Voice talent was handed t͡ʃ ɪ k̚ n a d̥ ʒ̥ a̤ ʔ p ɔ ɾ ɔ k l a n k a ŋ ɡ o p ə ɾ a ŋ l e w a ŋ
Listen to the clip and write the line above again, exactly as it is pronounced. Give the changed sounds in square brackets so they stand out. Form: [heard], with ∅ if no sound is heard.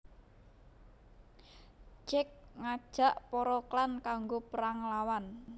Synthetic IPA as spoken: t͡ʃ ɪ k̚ [ŋ] a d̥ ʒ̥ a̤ ʔ p ɔ ɾ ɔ k l a n k a ŋ ɡ o p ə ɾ a ŋ l [a] w a [n]

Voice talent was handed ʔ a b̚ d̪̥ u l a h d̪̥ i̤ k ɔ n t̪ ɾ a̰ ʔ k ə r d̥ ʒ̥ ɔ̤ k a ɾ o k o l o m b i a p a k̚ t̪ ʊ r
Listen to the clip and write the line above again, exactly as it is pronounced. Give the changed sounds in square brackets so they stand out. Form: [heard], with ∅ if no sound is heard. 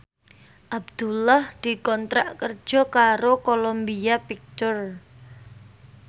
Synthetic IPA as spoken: ʔ a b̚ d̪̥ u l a h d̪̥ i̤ k ɔ n t̪ ɾ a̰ ʔ k ə r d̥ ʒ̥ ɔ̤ k a ɾ o k o l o m b i a p [i] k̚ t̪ ʊ r

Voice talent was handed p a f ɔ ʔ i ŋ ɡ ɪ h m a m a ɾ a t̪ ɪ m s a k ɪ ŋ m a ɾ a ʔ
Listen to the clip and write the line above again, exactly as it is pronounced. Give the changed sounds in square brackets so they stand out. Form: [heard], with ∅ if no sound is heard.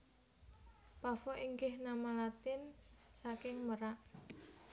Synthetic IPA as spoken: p a f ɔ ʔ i ŋ ɡ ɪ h [n] a m a [l] a t̪ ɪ [n] s a k ɪ ŋ m [ə] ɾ a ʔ

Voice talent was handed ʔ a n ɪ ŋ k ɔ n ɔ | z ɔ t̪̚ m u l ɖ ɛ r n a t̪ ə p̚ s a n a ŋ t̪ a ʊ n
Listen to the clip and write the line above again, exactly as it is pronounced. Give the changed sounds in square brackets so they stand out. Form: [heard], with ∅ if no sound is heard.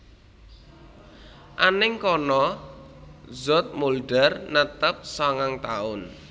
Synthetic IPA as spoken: ʔ a n ɪ ŋ k ɔ n ɔ | z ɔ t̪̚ m u l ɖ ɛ r n [ə] t̪ ə p̚ s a [ŋ] a ŋ t̪ a ʊ n

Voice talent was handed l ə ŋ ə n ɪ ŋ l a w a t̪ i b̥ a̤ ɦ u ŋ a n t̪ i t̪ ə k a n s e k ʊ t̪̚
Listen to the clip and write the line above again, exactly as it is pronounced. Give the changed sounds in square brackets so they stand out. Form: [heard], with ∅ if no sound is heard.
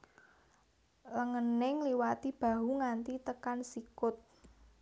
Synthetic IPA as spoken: l ə ŋ ə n ɪ ŋ l [i] w a t̪ i b̥ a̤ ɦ u ŋ a n t̪ i t̪ ə k a n s [i] k ʊ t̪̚

